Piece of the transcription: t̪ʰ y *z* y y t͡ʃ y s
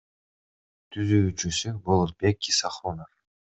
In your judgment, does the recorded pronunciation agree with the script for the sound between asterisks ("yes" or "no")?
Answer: yes